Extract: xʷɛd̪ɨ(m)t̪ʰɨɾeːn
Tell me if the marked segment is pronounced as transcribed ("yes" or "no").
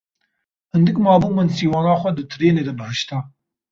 no